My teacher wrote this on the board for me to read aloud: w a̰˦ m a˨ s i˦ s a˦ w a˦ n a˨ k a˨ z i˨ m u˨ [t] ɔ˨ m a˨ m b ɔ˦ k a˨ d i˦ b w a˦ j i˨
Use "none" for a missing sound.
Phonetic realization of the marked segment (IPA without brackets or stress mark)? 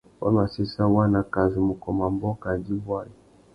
k